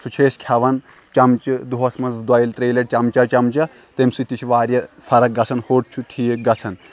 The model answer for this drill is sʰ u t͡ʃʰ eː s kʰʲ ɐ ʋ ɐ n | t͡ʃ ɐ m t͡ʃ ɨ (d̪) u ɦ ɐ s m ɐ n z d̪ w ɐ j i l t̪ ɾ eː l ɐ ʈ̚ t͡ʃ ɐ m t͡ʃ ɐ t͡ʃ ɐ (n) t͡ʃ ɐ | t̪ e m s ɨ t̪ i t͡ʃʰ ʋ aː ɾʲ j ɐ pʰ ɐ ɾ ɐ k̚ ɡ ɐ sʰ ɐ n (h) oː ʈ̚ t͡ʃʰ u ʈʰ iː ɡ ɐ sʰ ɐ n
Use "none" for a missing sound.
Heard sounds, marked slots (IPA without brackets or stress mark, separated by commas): d̪, m, h